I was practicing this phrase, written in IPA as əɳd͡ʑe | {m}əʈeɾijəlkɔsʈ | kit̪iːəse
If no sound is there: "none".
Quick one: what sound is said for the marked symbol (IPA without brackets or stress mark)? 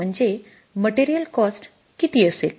m